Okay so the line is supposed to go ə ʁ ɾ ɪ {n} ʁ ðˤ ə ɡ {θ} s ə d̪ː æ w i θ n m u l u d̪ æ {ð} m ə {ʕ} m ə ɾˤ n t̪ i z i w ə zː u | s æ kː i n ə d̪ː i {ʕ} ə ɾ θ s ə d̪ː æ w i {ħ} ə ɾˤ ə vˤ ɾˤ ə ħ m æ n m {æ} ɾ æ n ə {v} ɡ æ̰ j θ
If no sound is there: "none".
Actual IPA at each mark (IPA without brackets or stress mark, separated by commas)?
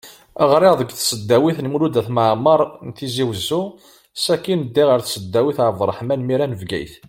none, θ, θ, ʕ, ʁ, θ, i, v